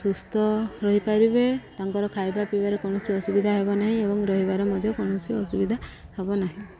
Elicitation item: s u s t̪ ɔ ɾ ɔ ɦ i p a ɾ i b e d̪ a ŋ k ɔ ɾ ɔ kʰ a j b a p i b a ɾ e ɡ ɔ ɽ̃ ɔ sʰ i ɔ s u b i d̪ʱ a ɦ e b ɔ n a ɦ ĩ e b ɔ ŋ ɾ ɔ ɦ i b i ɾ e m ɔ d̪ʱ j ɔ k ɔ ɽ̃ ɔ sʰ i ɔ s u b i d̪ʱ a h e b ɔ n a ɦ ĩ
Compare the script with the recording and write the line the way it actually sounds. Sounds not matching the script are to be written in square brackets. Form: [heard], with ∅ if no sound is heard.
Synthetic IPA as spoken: s u s t̪ ɔ ɾ ɔ ɦ i p a ɾ i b e [t̪] a ŋ k ɔ ɾ ɔ kʰ a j b a p i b a ɾ e [k] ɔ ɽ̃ ɔ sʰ i ɔ s u b i d̪ʱ a ɦ e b ɔ n a ɦ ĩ e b ɔ ŋ ɾ ɔ ɦ i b [a] ɾ e m ɔ d̪ʱ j ɔ k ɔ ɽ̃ ɔ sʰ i ɔ s u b i d̪ʱ a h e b ɔ n a ɦ ĩ